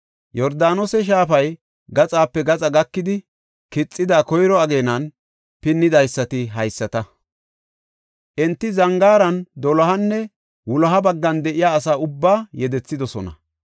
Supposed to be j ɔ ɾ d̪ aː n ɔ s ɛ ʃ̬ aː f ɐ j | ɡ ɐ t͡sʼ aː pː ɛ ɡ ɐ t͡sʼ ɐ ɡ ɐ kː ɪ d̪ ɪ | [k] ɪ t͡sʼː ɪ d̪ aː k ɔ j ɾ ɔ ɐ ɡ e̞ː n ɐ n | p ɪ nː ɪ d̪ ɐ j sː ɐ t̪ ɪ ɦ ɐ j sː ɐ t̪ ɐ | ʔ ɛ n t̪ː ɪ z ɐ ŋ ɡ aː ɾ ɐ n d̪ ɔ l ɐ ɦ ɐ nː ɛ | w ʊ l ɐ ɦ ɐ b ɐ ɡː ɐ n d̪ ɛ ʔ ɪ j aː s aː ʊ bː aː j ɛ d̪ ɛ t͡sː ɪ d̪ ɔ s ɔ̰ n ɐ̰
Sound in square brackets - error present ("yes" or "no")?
no